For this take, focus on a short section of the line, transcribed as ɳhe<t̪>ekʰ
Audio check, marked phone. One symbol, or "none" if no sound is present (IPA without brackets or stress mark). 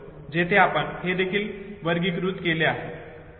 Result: d̪